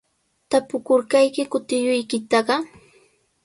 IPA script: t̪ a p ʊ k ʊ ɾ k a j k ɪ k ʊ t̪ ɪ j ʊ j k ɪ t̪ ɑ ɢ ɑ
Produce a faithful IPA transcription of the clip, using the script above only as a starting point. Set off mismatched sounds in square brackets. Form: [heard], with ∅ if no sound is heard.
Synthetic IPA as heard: t̪ a p ʊ k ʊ ɾ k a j k ɪ k ʊ t̪ ɪ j ʊ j k ɪ t̪ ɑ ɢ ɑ